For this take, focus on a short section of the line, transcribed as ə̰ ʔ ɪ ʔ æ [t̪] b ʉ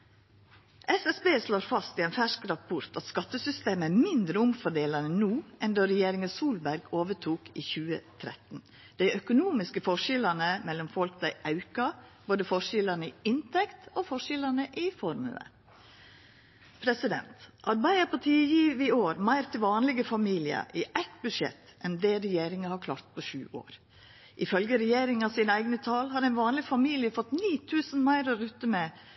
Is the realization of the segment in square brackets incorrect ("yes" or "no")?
no